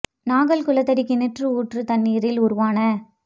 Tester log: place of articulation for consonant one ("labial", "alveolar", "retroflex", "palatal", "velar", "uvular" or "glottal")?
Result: alveolar